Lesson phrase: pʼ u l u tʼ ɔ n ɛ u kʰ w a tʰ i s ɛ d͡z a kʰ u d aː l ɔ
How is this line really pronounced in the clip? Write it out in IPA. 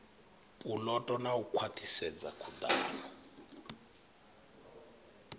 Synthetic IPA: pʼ u l ɔ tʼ ɔ n a u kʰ w a tʰ i s ɛ d͡z a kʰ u d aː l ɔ